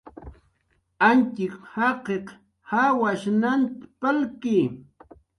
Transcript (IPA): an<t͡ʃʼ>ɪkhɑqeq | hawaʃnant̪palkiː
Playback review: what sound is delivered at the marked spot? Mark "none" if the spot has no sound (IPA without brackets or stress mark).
t͡ʃ